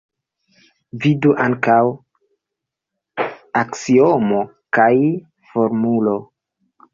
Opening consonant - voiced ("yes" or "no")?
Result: yes